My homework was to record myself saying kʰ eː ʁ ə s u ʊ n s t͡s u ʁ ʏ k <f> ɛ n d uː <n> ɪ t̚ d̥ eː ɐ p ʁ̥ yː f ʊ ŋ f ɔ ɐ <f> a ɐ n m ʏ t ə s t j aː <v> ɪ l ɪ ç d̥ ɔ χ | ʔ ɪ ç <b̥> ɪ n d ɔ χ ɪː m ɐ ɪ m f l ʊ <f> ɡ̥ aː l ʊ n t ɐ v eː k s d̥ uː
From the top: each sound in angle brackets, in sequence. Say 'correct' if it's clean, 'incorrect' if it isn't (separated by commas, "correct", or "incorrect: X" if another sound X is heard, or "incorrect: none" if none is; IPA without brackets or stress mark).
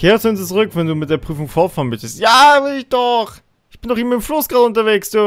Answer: incorrect: v, incorrect: m, correct, correct, correct, incorrect: s